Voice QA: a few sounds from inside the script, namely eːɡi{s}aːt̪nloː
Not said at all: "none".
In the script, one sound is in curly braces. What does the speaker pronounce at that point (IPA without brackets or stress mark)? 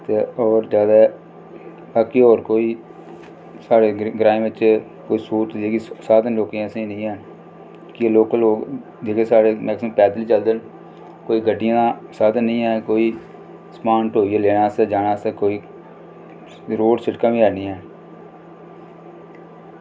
s